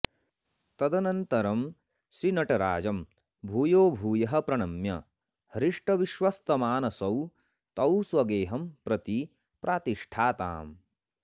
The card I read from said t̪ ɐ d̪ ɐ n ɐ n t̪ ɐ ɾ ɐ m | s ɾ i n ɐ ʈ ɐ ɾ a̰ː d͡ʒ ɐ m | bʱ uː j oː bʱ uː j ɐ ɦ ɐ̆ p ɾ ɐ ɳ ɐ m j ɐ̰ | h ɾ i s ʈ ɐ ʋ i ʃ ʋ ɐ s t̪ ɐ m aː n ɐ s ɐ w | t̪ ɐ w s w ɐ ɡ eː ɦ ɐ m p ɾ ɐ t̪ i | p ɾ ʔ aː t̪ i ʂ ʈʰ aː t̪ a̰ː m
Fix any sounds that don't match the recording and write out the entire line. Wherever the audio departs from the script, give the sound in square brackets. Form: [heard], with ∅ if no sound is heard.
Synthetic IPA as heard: t̪ ɐ d̪ ɐ n ɐ n t̪ ɐ ɾ ɐ m | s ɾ i n ɐ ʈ ɐ ɾ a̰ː d͡ʒ ɐ m | bʱ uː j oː bʱ uː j ɐ ɦ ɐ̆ p ɾ ɐ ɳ ɐ m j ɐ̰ | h ɾ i [ʂ] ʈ ɐ ʋ i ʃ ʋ ɐ s t̪ ɐ m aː n ɐ s ɐ w | t̪ ɐ w s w ɐ ɡ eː ɦ ɐ m p ɾ ɐ t̪ i | p ɾ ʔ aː t̪ i ʂ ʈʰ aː t̪ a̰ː m